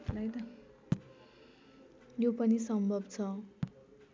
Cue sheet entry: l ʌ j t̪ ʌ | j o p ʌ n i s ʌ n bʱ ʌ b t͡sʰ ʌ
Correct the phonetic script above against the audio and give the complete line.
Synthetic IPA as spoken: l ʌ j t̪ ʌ | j o p ʌ n i s ʌ m bʱ ʌ b t͡sʰ ʌ